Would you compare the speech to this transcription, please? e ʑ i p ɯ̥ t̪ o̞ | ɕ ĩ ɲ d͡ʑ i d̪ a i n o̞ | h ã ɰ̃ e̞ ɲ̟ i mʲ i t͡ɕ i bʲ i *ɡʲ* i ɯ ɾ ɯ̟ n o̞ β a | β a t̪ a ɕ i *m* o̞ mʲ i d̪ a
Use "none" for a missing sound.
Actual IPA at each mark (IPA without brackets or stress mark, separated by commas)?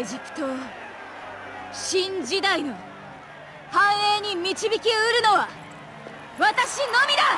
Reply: kʲ, n